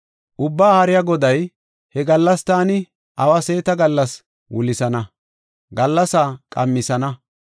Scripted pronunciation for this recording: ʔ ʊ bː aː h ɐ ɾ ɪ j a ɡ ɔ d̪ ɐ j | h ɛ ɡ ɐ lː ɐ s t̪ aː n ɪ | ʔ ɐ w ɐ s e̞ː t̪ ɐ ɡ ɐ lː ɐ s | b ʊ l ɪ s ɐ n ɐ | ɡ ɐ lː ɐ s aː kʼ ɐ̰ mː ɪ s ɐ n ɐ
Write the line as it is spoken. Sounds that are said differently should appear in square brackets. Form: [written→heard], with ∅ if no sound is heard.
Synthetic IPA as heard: ʔ ʊ bː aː h ɐ ɾ ɪ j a ɡ ɔ d̪ ɐ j | h ɛ ɡ ɐ lː ɐ s t̪ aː n ɪ | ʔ ɐ w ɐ s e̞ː t̪ ɐ ɡ ɐ lː ɐ s | [b→w] ʊ l ɪ s ɐ n ɐ | ɡ ɐ lː ɐ s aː kʼ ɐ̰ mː ɪ s ɐ n ɐ